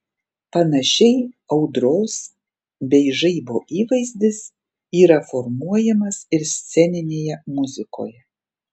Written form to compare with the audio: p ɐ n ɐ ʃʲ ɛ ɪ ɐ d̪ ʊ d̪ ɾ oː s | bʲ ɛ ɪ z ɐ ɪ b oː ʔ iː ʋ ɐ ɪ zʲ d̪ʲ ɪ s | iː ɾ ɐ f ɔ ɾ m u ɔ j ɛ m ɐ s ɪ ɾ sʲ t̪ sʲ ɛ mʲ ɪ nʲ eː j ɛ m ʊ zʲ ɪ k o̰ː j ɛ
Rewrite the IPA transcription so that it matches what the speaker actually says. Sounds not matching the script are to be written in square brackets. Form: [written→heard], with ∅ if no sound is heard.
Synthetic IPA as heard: p ɐ n ɐ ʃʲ ɛ ɪ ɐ [d̪→∅] ʊ d̪ ɾ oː s | bʲ ɛ ɪ [z→ʒ] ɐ ɪ b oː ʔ iː ʋ ɐ ɪ zʲ d̪ʲ ɪ s | iː ɾ ɐ f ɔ ɾ m u ɔ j ɛ m ɐ s ɪ ɾ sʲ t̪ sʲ ɛ [mʲ→nʲ] ɪ nʲ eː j ɛ m ʊ zʲ ɪ k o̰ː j ɛ